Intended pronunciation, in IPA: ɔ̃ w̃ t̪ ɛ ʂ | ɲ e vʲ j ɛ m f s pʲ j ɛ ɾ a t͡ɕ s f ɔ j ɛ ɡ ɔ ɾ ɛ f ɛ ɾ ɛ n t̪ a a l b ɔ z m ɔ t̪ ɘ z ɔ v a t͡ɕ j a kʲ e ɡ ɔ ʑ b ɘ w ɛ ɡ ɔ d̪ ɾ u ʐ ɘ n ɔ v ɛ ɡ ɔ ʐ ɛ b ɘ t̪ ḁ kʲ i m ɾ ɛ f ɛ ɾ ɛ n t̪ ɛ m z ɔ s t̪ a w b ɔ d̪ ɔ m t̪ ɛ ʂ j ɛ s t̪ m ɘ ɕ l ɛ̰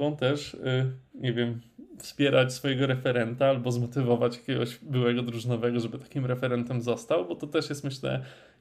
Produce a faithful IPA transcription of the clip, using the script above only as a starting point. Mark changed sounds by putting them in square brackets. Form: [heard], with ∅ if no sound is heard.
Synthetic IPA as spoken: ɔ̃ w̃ t̪ ɛ ʂ | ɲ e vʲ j ɛ m f s pʲ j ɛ ɾ a t͡ɕ s f ɔ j ɛ ɡ ɔ ɾ ɛ f ɛ ɾ ɛ n t̪ a a l b ɔ z m ɔ t̪ ɘ [v] ɔ v a t͡ɕ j a kʲ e ɡ ɔ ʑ b ɘ w ɛ ɡ ɔ d̪ ɾ u ʐ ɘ n ɔ v ɛ ɡ ɔ ʐ ɛ b ɘ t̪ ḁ kʲ i m ɾ ɛ f ɛ ɾ ɛ n t̪ ɛ m z ɔ s t̪ a w b ɔ [t̪] ɔ [∅] t̪ ɛ ʂ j ɛ s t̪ m ɘ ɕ l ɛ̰